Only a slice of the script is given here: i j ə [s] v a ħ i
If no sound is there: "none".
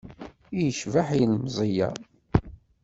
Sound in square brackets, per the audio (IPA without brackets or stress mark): ʃ